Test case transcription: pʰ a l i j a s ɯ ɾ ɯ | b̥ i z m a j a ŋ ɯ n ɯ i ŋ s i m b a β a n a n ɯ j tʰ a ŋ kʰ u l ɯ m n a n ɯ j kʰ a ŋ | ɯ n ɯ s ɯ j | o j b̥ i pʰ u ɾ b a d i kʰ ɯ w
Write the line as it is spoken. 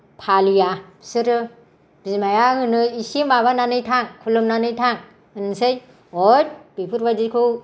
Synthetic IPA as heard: pʰ a l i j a s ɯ ɾ ɯ | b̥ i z m a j a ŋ ɯ n ɯ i s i m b a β a n a n ɯ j tʰ a ŋ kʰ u l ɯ m n a n ɯ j tʰ a ŋ | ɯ n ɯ s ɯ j | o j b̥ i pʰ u ɾ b a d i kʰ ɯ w